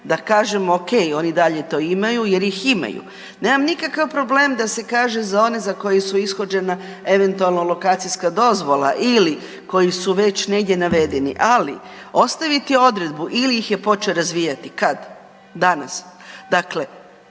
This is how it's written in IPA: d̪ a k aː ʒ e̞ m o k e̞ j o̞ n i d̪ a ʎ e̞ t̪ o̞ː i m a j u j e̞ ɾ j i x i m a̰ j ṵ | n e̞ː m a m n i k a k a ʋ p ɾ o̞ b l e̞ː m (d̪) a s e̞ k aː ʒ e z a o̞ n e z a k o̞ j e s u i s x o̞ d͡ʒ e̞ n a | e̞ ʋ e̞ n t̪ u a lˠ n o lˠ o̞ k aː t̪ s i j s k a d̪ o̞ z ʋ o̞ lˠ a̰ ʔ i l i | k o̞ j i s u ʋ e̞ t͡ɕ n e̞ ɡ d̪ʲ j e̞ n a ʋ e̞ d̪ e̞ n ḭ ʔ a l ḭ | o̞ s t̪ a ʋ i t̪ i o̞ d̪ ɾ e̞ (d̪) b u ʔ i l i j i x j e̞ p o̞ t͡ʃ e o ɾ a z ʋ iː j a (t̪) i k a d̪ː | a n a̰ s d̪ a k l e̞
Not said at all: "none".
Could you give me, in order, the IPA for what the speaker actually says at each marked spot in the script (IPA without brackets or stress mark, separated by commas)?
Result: d̪, d̪, t̪